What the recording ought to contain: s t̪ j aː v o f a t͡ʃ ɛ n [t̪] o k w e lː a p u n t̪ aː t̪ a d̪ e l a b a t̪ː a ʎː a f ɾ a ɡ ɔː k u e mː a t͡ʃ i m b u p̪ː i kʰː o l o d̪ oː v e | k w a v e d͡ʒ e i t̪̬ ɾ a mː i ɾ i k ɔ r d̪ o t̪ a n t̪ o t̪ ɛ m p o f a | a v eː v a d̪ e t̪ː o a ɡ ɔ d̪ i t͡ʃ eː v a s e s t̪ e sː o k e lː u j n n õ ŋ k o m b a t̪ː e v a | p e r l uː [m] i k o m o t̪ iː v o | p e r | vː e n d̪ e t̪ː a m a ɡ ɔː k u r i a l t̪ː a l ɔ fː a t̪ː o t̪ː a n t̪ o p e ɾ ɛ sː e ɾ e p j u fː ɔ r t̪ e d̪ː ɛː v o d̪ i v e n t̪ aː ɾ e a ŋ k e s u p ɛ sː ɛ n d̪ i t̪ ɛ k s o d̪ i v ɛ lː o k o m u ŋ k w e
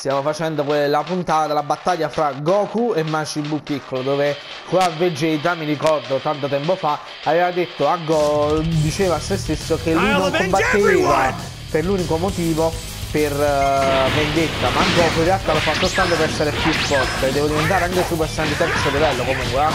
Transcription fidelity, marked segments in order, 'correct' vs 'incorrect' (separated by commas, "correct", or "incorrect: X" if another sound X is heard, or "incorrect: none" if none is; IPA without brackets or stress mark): incorrect: d̪, incorrect: n